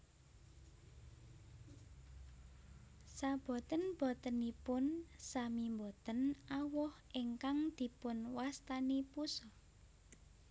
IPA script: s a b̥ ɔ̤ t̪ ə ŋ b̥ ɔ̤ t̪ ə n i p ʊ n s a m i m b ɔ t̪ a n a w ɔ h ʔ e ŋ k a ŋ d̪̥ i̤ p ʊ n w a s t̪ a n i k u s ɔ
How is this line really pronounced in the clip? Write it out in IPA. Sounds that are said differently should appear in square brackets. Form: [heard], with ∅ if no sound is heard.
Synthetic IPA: s a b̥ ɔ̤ t̪ ə [n] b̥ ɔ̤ t̪ ə n i p ʊ n s a m i m b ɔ t̪ [ə] n a w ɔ h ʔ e ŋ k a ŋ d̪̥ i̤ p ʊ n w a s t̪ a n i [p] u s ɔ